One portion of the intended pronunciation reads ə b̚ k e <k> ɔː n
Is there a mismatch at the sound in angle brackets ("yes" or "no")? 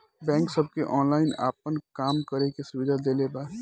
yes